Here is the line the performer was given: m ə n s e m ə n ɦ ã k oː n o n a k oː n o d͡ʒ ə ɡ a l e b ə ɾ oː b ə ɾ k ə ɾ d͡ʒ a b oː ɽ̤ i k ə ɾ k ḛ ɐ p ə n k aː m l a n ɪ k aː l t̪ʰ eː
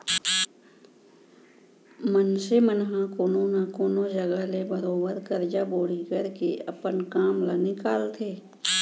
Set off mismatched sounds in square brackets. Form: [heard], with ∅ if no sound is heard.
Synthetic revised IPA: m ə n s e m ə n ɦ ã k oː n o n a k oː n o d͡ʒ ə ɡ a l e b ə ɾ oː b ə ɾ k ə ɾ d͡ʒ a b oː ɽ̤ i k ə ɾ k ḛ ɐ p ə n k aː m l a n ɪ k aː l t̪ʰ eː